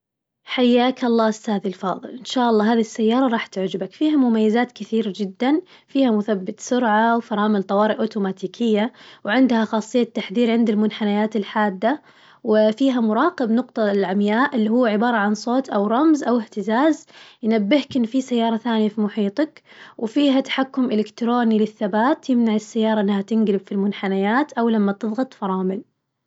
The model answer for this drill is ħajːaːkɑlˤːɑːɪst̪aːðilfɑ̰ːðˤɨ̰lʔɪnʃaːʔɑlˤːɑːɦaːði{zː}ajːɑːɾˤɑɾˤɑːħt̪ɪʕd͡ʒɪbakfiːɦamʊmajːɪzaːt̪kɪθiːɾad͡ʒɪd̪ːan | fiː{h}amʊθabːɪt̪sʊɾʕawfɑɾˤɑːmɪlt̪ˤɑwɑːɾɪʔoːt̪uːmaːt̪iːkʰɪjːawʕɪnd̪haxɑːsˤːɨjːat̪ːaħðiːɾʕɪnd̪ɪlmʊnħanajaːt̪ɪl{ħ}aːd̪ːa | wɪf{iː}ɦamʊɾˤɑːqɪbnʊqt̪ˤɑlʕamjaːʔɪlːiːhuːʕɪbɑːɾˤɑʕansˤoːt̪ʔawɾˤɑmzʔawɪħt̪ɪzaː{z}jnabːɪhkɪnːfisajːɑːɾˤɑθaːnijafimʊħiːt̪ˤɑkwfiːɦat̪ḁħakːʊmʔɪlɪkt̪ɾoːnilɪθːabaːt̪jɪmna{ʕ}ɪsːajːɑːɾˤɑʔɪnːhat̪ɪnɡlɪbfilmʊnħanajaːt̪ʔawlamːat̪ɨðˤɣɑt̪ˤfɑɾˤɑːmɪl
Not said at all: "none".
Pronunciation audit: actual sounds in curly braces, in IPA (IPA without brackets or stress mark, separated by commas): sː, h, ħ, iː, z, ʕ